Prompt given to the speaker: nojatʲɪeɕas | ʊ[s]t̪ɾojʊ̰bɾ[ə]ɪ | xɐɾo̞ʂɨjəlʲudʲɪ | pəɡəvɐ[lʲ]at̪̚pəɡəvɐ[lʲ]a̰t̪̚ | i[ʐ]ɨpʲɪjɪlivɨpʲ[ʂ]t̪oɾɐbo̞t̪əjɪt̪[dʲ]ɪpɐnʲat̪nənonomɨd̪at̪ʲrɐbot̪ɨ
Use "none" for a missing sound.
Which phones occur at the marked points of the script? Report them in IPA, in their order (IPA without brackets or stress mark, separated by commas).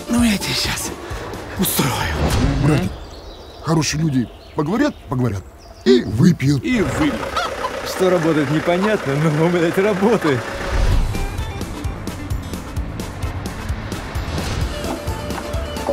s, a, ɾʲ, ɾʲ, v, ʂ, nʲ